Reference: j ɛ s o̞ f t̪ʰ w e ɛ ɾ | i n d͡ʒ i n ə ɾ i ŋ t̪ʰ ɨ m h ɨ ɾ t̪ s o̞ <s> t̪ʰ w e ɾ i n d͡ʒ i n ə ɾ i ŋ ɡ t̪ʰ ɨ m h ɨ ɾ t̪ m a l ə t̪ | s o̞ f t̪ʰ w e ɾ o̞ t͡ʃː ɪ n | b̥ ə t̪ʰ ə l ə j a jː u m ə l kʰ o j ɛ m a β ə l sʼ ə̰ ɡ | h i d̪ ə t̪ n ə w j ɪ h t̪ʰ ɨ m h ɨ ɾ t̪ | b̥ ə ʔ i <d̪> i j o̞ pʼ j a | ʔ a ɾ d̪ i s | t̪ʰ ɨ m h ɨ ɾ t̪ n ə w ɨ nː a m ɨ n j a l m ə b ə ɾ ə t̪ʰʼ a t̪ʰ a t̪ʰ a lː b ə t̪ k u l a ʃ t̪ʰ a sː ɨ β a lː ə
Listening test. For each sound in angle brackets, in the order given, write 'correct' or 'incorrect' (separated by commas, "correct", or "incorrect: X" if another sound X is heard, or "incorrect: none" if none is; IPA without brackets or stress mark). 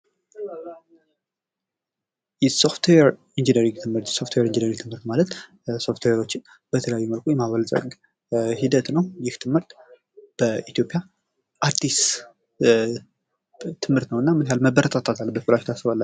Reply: incorrect: f, incorrect: t̪